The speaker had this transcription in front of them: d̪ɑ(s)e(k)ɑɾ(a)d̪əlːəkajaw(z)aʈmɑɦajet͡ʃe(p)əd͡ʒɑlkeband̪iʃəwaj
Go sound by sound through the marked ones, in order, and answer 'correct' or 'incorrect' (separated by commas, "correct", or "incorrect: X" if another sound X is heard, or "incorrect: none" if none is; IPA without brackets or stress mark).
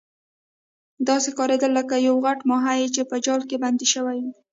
correct, correct, incorrect: e, incorrect: ɣ, correct